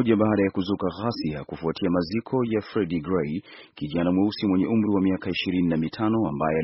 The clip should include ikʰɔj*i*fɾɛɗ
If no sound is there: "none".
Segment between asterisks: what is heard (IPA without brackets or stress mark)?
a